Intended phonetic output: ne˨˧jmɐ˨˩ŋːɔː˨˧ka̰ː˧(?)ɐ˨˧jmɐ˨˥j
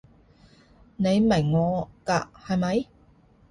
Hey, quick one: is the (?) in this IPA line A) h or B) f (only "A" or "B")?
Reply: A